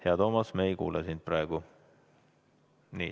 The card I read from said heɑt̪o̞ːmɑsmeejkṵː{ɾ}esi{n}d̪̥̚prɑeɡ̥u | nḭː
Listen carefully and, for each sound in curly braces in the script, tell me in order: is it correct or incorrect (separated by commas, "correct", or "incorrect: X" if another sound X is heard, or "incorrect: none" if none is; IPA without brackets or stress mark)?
incorrect: l, correct